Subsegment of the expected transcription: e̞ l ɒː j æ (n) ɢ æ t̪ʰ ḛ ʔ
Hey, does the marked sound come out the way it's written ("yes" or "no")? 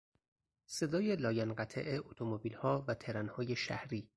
yes